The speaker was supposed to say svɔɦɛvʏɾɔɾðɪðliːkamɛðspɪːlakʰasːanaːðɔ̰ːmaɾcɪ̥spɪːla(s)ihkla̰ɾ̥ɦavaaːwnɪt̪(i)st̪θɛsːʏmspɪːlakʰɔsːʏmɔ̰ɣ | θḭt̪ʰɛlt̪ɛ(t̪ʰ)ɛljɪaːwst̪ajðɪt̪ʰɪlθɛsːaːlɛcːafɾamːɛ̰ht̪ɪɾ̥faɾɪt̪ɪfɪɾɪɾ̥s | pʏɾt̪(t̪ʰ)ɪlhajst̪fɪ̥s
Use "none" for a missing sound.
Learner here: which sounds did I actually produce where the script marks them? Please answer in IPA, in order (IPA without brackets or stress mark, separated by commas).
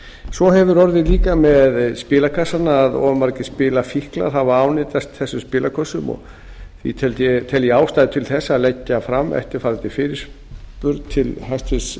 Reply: f, a, t̪ʰ, t̪ʰ